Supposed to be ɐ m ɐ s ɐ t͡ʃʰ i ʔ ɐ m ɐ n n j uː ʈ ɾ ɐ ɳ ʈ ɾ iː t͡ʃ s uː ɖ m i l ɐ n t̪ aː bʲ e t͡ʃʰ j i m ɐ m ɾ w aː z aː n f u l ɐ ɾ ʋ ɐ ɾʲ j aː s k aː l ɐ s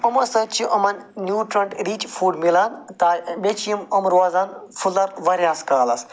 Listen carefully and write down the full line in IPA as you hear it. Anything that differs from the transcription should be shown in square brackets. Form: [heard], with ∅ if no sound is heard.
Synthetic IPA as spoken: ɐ m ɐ s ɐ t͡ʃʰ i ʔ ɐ m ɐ n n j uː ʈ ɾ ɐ ɳ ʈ ɾ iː t͡ʃ [f] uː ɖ m i l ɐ n t̪ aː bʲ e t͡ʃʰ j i m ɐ m ɾ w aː z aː n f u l ɐ ɾ ʋ ɐ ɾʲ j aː s k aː l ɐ s